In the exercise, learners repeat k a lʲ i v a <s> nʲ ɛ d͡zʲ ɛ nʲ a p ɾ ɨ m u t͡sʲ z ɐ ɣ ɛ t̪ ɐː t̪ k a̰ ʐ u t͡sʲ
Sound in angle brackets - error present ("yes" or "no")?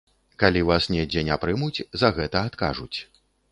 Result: no